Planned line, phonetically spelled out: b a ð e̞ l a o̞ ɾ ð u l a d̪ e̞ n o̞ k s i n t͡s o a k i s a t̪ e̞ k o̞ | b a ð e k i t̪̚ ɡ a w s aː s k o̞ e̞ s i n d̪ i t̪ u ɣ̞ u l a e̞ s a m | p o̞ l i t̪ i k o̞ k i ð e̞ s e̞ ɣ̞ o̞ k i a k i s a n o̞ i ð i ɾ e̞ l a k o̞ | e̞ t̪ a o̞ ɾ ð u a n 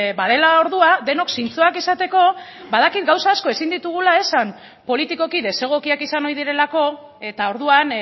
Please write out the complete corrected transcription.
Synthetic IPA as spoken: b a ð e̞ l a o̞ ɾ ð u a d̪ e̞ n o̞ k s i n t͡s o a k i s a t̪ e̞ k o̞ | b a ð a k i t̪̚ ɡ a w s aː s k o̞ e̞ s i n d̪ i t̪ u ɣ̞ u l a e̞ s a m | p o̞ l i t̪ i k o̞ k i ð e̞ s e̞ ɣ̞ o̞ k i a k i s a n o̞ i ð i ɾ e̞ l a k o̞ | e̞ t̪ a o̞ ɾ ð u a n

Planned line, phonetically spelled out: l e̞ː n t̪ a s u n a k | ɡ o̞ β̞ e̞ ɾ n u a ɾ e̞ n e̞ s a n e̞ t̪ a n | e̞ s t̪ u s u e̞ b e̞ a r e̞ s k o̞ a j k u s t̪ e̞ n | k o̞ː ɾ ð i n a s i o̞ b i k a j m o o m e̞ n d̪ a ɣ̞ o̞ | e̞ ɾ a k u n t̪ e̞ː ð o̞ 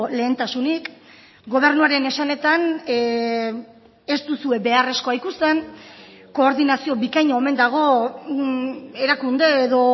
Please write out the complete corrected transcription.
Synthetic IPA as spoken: l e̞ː n t̪ a s u n i k | ɡ o̞ β̞ e̞ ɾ n u a ɾ e̞ n e̞ s a n e̞ t̪ a n | e̞ s t̪ u s u e̞ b e̞ a r e̞ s k o̞ a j k u s t̪ e̞ n | k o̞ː ɾ ð i n a s i o̞ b i k a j ɲ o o m e̞ n d̪ a ɣ̞ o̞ | e̞ ɾ a k u n d̪ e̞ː ð o̞

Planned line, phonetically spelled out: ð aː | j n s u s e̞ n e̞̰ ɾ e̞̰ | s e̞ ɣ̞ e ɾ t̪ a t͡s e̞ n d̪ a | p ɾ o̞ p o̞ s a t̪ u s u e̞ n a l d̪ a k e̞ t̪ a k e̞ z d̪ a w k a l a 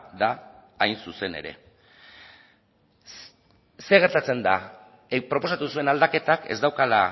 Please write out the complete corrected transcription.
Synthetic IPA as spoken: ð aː | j n s u s e̞ n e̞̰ ɾ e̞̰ | s e̞ ɣ̞ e ɾ t̪ a t͡s e̞ n d̪ a | p ɾ o̞ p o̞ s a t̪ u s u e̞ n a l d̪ a k e̞ t̪ a k e̞ z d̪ a w k a l a

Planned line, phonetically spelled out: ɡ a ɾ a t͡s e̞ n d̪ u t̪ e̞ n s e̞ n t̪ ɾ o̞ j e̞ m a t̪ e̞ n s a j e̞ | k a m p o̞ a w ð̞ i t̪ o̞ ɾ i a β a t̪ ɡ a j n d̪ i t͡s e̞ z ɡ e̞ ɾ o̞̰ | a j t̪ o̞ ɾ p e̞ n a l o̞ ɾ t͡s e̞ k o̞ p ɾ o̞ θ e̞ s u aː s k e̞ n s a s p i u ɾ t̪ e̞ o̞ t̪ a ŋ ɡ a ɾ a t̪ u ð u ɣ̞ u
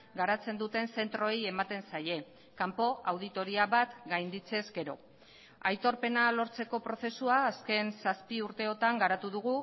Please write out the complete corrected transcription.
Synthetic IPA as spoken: ɡ a ɾ a t͡s e̞ n d̪ u t̪ e̞ n s e̞ n t̪ ɾ o̞ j e̞ m a t̪ e̞ n s a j e̞ | k a m p o̞ a w ð̞ i t̪ o̞ ɾ i a β a t̪ ɡ a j n d̪ i t͡s e̞ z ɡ e̞ ɾ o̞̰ | a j t̪ o̞ ɾ p e̞ n a l o̞ ɾ t͡s e̞ k o̞ p ɾ o̞ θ e̞ s u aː s k e̞ n s a s p i u ɾ t̪ e̞ o̞ t̪ a ŋ ɡ a ɾ a t̪ u ð u ɣ̞ u

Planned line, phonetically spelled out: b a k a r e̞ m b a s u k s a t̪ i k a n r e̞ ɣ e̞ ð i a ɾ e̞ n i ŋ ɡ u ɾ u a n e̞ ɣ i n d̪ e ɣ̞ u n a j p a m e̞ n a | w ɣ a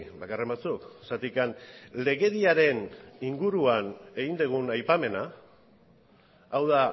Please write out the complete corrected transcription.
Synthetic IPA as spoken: b a k a r e̞ m b a t͡s u k s a t̪ i k a n l e̞ ɣ e̞ ð i a ɾ e̞ n i ŋ ɡ u ɾ u a n e̞ ɣ i n d̪ e ɣ̞ u n a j p a m e̞ n a | w ð a

